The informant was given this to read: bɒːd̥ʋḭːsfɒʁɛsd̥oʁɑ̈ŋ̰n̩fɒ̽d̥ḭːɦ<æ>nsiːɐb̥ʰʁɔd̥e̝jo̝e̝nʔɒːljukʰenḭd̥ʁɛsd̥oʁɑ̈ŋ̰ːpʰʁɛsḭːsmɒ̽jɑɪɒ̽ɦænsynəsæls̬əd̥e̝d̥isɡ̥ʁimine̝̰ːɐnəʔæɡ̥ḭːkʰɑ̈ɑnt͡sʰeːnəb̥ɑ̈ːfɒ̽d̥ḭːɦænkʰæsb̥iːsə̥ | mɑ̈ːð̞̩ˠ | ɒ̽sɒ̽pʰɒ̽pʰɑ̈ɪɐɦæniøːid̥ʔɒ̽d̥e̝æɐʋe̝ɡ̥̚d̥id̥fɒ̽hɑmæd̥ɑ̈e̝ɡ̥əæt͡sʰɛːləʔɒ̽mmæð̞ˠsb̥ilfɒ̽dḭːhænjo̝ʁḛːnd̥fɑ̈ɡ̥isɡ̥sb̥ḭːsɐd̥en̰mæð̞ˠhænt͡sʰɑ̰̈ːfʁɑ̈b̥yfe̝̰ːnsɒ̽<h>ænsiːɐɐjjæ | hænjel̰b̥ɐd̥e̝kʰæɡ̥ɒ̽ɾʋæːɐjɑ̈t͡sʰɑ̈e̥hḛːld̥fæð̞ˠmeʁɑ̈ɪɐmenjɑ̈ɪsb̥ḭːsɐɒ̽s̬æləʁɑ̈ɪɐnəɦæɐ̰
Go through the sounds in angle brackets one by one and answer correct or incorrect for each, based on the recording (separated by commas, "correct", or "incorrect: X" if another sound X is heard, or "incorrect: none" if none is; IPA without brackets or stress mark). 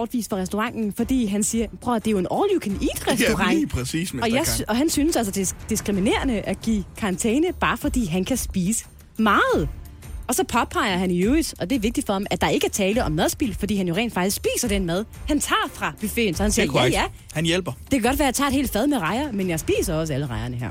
correct, correct